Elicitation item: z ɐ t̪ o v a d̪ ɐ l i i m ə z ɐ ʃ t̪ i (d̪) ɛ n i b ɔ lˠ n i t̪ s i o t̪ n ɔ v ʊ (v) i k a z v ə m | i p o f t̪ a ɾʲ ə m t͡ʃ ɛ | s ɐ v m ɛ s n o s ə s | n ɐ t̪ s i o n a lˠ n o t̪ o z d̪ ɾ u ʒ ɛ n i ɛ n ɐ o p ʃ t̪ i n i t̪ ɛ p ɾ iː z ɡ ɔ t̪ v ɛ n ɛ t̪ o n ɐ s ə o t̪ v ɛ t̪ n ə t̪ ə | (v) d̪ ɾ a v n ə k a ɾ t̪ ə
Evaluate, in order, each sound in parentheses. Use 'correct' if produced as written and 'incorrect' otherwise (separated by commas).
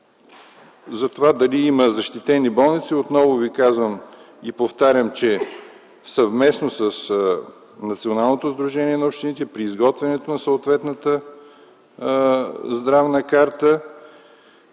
incorrect, correct, incorrect